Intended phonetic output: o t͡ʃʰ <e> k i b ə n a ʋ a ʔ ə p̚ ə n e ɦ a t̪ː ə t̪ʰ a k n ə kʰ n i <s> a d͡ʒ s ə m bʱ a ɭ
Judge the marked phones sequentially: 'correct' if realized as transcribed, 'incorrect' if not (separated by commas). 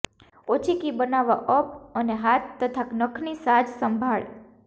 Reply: incorrect, correct